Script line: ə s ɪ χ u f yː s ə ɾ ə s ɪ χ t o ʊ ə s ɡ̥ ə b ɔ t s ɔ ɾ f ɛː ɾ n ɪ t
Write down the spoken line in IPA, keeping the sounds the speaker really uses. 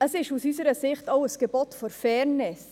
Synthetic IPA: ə s ɪ ʃ u s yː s ə ɾ ə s ɪ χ t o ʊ ə s ɡ̥ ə b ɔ t f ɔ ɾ f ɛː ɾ n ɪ s